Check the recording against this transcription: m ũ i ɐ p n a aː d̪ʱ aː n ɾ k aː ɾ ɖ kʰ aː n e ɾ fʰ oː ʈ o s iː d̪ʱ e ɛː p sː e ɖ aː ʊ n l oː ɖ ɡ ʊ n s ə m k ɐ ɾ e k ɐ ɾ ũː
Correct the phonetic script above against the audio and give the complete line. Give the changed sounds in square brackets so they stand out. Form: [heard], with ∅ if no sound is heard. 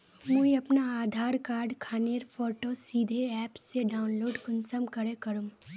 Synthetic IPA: m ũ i ɐ p n a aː d̪ʱ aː [∅] ɾ k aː ɾ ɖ kʰ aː n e ɾ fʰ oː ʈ o s iː d̪ʱ e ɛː p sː e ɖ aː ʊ n l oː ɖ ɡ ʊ n s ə m k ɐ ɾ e k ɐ ɾ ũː